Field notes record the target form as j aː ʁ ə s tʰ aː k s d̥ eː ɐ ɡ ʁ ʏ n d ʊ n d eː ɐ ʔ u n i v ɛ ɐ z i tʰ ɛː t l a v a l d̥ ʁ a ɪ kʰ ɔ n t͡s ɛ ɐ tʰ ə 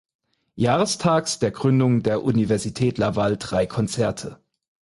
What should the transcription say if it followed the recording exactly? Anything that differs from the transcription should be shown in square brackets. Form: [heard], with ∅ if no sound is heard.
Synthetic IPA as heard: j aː ʁ ə s tʰ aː k s d̥ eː ɐ ɡ ʁ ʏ n d ʊ [ŋ] d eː ɐ ʔ u n i v ɛ ɐ z i tʰ ɛː t l a v a l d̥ ʁ a ɪ kʰ ɔ n t͡s ɛ ɐ tʰ ə